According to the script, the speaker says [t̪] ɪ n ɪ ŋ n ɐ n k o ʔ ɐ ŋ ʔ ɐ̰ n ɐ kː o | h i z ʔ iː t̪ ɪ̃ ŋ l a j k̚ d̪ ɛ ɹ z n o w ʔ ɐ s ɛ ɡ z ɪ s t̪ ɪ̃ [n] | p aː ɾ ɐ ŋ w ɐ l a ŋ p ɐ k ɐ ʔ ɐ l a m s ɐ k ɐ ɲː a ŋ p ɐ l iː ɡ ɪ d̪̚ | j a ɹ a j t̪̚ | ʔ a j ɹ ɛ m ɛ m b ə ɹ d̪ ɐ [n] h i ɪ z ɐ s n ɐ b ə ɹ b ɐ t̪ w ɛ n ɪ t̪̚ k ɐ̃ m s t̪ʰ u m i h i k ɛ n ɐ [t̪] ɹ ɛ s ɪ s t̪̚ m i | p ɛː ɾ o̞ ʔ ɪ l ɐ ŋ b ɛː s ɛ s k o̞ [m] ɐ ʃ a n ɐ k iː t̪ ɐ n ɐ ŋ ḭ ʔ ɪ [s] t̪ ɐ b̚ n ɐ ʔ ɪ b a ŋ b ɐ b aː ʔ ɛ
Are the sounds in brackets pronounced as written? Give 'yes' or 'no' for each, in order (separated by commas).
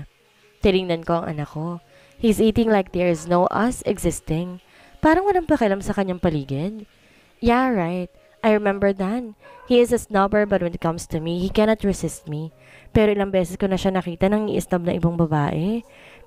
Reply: yes, no, yes, yes, no, yes